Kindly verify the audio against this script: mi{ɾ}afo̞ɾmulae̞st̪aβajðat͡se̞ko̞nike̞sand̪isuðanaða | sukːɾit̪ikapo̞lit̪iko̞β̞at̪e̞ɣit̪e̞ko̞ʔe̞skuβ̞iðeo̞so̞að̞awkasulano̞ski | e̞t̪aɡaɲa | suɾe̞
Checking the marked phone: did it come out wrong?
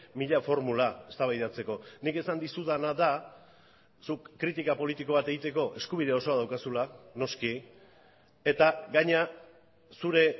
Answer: yes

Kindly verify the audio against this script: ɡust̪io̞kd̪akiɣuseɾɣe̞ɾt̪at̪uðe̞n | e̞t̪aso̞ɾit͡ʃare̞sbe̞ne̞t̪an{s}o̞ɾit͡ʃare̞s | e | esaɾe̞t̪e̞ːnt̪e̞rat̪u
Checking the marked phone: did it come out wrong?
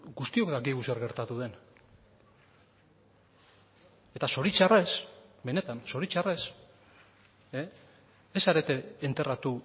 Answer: no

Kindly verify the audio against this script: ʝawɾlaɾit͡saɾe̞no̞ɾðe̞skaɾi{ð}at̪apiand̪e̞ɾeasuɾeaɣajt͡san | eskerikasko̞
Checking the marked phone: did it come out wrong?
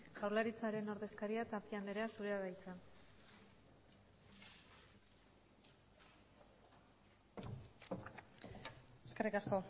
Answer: yes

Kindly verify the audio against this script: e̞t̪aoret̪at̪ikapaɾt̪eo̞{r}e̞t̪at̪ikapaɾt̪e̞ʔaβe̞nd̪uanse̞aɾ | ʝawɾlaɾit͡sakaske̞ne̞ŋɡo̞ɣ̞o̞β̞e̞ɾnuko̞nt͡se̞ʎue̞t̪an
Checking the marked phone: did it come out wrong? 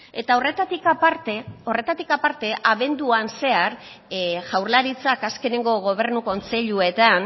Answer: no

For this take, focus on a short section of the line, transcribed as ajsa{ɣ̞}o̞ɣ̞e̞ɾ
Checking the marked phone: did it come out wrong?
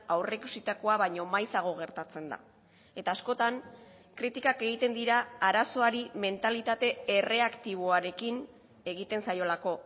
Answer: no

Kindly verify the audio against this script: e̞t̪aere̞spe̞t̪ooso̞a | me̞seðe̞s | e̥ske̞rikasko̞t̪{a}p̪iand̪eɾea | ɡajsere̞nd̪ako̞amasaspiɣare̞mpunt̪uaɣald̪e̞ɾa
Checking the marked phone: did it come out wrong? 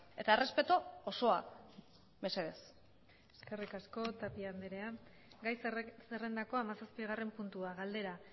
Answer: no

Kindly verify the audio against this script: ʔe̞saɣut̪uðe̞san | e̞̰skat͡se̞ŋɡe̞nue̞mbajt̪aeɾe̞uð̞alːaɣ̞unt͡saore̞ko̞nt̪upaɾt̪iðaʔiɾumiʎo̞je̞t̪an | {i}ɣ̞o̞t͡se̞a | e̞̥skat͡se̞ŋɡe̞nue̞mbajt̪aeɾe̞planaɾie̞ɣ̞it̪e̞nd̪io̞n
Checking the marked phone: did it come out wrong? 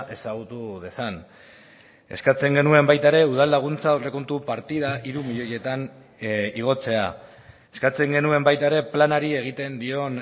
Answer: no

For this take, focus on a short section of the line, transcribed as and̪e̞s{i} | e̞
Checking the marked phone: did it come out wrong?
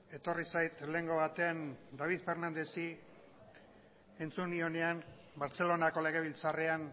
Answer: no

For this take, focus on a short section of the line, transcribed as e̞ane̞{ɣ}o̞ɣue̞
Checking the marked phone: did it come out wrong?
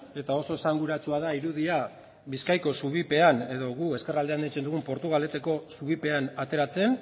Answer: yes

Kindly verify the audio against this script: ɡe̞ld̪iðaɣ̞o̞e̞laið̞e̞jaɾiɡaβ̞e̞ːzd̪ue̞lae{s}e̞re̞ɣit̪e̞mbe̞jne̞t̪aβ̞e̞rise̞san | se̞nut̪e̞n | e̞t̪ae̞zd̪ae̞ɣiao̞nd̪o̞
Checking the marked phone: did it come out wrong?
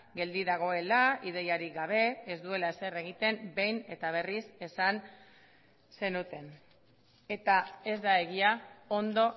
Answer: no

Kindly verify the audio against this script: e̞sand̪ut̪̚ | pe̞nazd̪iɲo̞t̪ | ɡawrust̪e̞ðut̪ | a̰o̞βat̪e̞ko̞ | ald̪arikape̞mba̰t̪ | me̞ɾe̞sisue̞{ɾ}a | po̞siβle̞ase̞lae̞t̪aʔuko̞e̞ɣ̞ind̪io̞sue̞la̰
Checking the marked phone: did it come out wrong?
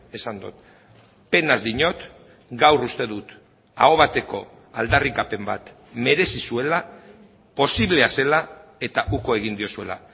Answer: yes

